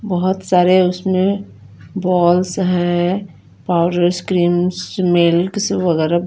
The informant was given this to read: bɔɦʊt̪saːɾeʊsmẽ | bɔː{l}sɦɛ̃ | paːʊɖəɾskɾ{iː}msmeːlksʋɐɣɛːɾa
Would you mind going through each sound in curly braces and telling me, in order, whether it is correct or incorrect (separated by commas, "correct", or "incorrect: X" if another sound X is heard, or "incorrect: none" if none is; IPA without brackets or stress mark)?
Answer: correct, correct